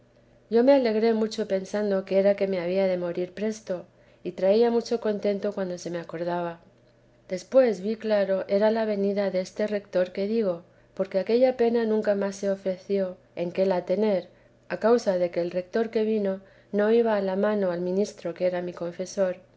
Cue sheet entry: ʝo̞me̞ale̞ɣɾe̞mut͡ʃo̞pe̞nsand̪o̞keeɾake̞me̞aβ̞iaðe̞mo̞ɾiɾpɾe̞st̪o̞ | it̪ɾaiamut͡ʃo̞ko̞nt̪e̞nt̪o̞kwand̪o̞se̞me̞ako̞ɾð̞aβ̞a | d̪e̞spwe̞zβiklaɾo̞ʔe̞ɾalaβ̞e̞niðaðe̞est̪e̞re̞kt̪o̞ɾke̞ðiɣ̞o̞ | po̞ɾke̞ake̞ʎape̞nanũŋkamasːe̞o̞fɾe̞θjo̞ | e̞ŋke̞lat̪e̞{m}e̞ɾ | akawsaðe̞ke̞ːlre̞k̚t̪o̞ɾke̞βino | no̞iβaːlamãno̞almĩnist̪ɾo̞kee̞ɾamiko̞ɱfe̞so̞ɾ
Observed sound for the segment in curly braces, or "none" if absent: n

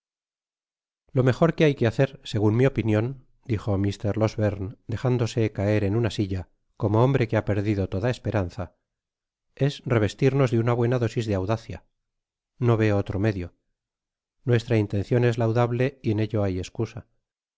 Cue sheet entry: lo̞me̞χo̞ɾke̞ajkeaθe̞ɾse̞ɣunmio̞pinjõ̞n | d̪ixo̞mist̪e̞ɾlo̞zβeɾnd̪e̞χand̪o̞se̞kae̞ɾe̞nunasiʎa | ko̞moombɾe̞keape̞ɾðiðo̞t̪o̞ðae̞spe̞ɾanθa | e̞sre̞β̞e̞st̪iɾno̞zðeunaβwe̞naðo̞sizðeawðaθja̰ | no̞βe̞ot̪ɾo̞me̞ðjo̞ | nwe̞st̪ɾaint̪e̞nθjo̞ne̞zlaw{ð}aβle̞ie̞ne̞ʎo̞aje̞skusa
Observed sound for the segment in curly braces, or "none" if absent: ð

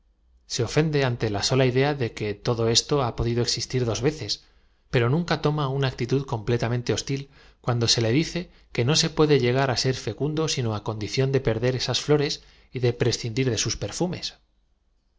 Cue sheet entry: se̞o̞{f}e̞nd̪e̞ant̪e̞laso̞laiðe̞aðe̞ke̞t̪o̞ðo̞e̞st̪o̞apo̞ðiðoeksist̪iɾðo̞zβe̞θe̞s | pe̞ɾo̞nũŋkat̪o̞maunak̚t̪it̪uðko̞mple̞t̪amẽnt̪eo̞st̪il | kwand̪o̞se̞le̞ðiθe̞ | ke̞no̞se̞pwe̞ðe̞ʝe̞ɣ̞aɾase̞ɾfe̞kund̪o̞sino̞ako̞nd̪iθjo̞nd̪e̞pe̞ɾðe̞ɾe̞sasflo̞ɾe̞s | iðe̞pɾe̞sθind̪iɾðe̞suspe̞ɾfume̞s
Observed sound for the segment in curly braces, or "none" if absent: f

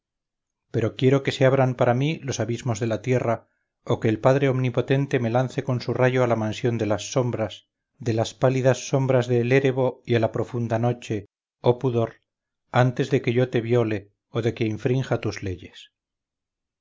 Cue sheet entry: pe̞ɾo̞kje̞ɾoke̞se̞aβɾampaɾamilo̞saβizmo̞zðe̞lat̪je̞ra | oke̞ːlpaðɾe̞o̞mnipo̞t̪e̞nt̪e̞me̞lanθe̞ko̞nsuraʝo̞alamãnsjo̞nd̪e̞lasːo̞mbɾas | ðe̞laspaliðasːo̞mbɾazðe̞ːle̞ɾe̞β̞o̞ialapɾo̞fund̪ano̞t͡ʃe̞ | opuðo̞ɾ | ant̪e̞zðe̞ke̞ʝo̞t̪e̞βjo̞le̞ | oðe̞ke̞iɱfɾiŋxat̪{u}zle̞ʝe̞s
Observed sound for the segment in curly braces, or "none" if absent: u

